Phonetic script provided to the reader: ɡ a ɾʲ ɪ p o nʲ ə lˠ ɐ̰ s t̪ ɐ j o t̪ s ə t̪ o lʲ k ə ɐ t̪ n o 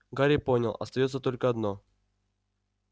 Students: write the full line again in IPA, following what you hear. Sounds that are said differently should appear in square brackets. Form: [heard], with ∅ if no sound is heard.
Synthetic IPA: ɡ a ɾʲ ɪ p o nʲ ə lˠ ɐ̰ s t̪ ɐ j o t̪ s ə t̪ o lʲ k ə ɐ [d̪] n o